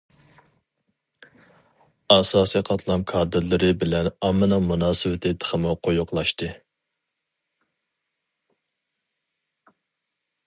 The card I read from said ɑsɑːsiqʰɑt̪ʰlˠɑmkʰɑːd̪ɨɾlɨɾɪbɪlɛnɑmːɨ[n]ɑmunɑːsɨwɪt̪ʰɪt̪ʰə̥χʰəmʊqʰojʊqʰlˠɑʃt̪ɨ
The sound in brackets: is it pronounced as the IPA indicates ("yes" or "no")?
yes